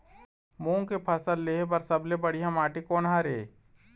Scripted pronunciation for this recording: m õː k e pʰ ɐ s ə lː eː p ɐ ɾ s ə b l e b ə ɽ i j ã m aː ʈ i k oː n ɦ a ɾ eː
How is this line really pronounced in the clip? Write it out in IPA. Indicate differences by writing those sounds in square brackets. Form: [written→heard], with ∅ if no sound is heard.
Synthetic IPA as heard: m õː k e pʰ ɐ s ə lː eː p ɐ ɾ s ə b l e b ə ɽ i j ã m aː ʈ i k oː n ɦ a ɾ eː